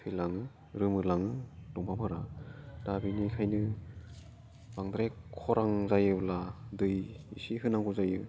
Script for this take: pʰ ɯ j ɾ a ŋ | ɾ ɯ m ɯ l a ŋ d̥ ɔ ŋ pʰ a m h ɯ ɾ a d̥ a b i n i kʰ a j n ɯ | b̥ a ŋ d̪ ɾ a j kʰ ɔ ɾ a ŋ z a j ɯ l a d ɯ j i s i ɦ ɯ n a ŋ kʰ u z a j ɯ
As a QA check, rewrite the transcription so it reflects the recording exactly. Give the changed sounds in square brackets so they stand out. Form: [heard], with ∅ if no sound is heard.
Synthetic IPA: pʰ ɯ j [l] a ŋ | ɾ ɯ m ɯ l a ŋ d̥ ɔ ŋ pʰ a m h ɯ ɾ a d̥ a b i n i kʰ a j n ɯ | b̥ a ŋ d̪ ɾ a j kʰ ɔ ɾ a ŋ z a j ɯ l a d ɯ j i s i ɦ ɯ n a ŋ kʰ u z a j ɯ